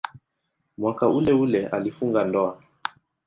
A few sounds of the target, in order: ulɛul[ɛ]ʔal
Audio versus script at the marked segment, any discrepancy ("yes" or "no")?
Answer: no